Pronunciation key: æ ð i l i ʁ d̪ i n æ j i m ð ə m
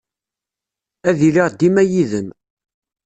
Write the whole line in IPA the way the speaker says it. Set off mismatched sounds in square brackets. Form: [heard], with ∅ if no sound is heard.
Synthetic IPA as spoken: æ ð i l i ʁ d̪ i [m] æ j i [∅] ð ə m